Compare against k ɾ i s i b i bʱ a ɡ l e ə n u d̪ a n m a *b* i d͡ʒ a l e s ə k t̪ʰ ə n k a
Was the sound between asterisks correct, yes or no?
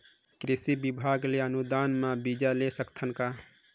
yes